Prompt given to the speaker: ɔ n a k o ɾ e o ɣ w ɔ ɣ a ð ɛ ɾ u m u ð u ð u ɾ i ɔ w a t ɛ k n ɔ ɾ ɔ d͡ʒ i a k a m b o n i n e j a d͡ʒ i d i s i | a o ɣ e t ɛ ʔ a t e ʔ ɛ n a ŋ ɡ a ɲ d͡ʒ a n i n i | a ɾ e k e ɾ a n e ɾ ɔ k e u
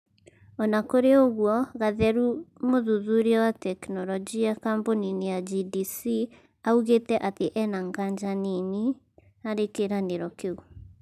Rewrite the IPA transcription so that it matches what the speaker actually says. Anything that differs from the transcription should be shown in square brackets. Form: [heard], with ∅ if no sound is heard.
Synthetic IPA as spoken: ɔ n a k o ɾ e o ɣ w ɔ ɣ a ð ɛ ɾ u m [o] ð u ð u ɾ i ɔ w a t ɛ k n ɔ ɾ ɔ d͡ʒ i a k a m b o n i n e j a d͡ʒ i d i s i | a [u] ɣ e t ɛ ʔ a t e ʔ ɛ n a ŋ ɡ a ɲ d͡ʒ a n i n i | a ɾ e k e ɾ a n e ɾ ɔ k e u